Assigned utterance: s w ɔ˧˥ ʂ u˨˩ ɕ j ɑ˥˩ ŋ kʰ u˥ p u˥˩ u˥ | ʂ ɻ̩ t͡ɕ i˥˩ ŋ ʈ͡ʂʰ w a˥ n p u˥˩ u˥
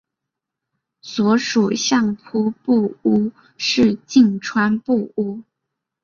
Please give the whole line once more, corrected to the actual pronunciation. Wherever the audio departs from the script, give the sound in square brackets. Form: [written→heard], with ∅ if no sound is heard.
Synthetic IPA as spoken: s w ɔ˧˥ ʂ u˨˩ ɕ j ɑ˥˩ ŋ [kʰ→pʰ] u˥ p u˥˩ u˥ | ʂ ɻ̩ t͡ɕ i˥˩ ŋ ʈ͡ʂʰ w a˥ n p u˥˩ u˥